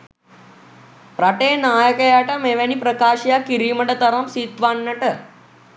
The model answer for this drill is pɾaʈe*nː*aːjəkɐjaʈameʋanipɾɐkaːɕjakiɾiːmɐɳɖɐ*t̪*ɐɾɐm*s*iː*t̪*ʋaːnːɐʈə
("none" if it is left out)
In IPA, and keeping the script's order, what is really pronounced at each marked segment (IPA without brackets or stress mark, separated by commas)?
n, t̪, s, t̪